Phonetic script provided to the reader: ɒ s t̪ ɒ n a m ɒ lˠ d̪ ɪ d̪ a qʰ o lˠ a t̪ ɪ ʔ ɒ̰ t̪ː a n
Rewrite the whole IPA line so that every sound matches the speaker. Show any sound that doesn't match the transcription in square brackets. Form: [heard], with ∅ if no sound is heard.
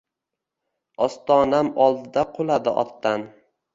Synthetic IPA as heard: ɒ s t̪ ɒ n a m ɒ lˠ d̪ ɪ d̪ a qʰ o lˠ a [d̪] ɪ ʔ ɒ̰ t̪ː a n